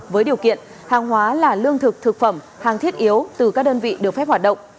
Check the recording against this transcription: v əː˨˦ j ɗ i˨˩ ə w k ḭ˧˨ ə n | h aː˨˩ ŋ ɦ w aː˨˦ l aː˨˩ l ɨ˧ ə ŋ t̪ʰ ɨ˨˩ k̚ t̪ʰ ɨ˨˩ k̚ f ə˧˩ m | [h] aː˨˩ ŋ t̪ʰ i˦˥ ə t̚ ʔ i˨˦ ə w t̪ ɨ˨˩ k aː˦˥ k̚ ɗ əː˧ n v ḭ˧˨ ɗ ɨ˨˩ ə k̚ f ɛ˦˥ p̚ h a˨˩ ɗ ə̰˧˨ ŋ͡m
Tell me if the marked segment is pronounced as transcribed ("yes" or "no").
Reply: yes